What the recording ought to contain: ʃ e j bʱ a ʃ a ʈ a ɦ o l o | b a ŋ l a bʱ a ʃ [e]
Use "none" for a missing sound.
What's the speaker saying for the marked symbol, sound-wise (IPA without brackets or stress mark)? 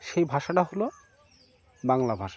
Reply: a